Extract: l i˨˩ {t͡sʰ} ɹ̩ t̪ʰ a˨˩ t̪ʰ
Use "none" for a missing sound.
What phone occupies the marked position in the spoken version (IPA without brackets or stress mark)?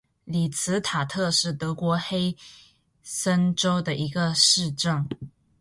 t͡sʰ